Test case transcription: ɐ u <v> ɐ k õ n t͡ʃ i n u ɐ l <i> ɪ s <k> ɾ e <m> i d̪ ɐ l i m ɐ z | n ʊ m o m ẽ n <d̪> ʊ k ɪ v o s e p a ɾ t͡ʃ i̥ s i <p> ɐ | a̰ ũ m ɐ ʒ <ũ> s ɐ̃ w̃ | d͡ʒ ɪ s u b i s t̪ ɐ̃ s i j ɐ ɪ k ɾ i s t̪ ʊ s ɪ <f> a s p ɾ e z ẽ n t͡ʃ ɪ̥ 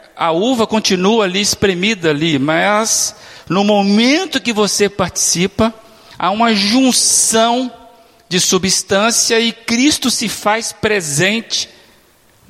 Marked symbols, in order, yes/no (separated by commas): yes, yes, no, yes, no, yes, yes, yes